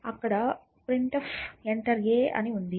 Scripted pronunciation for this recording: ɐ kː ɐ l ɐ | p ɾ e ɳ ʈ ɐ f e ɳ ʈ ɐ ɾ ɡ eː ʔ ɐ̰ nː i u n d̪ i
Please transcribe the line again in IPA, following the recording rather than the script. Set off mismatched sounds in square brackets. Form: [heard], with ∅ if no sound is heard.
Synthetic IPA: ɐ kː ɐ [ɽ] ɐ | p ɾ [i] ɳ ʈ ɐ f e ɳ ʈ ɐ ɾ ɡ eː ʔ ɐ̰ [n] i u n d̪ i